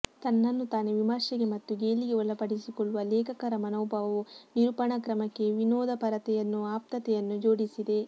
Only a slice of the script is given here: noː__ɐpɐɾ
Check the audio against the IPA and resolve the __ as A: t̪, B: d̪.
B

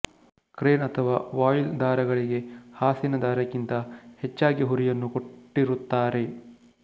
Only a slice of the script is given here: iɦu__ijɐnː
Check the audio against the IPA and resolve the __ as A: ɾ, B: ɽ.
A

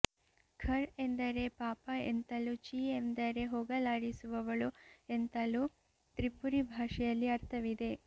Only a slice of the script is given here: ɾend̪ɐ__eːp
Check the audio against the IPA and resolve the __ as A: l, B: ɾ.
B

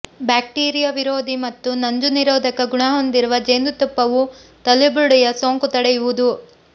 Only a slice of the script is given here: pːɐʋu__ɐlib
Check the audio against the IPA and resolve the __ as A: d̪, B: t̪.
B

